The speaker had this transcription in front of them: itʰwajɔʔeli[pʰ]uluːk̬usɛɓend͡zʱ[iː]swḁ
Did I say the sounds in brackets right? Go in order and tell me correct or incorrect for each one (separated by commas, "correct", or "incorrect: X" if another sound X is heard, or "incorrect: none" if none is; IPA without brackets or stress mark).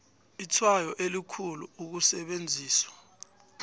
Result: incorrect: kʰ, correct